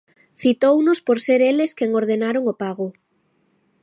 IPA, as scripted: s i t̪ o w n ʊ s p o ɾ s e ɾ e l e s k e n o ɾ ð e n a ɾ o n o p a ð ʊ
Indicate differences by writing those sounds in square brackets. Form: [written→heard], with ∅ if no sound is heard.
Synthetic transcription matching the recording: [s→θ] i t̪ o w n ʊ s p o ɾ s e ɾ e l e s k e [n→ŋ] o ɾ ð e n a ɾ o [n→ŋ] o p a [ð→ɣ] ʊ